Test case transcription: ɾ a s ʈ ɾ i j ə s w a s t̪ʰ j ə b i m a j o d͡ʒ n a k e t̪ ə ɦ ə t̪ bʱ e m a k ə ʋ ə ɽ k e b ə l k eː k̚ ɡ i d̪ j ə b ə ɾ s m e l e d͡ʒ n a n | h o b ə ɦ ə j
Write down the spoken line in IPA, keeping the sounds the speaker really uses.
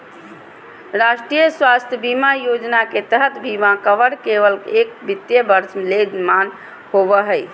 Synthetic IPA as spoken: ɾ a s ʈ ɾ i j ə s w a s t̪ʰ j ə b i m a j o d͡ʒ n a k e t̪ ə ɦ ə t̪ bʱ i m a k ə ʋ ə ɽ k e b ə l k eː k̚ b i t̪ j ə b ə ɾ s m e l e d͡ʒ m a n | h o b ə ɦ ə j